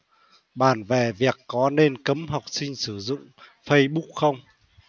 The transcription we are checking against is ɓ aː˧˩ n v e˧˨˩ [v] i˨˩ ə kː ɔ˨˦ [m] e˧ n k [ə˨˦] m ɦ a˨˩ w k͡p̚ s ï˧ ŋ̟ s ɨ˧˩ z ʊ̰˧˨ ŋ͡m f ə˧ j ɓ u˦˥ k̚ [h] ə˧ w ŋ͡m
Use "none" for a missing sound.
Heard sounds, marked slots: v, n, ə˨˦, x

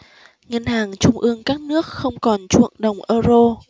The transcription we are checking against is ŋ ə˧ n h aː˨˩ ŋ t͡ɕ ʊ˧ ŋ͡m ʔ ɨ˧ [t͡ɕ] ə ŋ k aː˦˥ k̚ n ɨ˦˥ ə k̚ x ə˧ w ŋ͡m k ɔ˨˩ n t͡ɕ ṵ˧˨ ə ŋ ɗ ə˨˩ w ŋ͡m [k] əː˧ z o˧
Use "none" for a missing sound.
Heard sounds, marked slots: none, ʔ

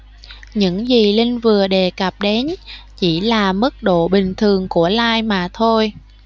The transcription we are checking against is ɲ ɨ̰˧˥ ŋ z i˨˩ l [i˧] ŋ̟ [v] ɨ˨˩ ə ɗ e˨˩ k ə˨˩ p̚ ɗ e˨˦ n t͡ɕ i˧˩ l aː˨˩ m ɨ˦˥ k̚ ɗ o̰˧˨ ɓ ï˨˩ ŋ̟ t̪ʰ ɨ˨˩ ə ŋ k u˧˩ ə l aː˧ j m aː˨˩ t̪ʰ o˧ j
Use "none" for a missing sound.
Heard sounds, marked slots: i˧, v

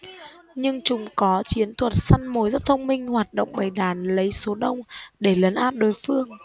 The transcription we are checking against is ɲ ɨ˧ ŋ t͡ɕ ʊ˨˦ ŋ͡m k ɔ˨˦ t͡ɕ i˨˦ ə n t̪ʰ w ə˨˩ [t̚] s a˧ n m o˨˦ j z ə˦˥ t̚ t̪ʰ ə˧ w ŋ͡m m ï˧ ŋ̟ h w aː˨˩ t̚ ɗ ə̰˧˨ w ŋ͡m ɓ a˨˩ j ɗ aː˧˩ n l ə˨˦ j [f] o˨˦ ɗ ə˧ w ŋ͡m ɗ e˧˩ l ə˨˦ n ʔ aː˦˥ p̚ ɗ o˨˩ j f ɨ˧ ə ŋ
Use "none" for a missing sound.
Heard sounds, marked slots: t̚, s

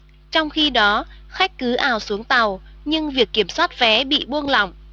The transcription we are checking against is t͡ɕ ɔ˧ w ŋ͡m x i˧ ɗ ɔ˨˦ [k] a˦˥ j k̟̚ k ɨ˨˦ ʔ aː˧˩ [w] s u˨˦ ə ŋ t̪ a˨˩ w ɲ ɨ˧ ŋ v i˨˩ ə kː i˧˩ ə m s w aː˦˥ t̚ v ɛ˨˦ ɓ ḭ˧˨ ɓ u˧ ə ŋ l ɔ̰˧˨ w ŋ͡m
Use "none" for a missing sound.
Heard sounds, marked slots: x, w

